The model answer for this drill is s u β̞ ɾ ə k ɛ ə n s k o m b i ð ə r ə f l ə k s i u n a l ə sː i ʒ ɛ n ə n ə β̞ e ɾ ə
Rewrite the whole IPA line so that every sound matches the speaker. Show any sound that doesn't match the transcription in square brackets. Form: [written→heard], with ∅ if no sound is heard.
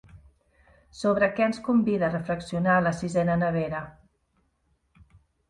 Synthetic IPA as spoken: s [u→o] β̞ ɾ ə k ɛ ə n s k [o→u] m b i ð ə r ə f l ə k s i u n a l ə [sː→s] i [ʒ→z] ɛ n ə n ə β̞ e ɾ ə